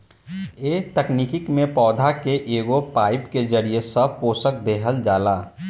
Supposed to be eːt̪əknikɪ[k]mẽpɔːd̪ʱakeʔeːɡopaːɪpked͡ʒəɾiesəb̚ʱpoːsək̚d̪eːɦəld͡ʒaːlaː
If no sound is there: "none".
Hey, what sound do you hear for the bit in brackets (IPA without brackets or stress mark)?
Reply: k